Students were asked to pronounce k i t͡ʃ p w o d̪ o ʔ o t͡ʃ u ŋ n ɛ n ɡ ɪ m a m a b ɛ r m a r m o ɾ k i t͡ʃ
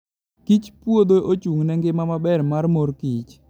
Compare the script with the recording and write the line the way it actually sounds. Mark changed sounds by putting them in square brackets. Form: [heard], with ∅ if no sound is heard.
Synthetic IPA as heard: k i t͡ʃ p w o d̪ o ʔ o t͡ʃ u ŋ n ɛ [ŋ] ɡ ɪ m a m a b ɛ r m a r m o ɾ k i t͡ʃ